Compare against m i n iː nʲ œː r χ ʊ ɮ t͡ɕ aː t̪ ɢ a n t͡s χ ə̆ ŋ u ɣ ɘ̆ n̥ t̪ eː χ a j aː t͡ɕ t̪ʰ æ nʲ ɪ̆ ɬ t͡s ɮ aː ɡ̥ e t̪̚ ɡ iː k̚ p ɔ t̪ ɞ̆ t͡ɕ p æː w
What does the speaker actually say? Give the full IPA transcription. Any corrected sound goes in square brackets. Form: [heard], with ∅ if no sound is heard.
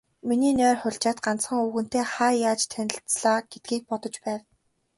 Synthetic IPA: m i n iː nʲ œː r χ ʊ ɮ t͡ɕ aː t̪ ɢ a n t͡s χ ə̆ ŋ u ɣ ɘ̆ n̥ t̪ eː χ a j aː t͡ɕ t̪ʰ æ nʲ ɪ̆ ɬ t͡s ɮ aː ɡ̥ e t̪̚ ɡ iː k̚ p ɔ t̪ ɞ̆ t͡ɕ p æː w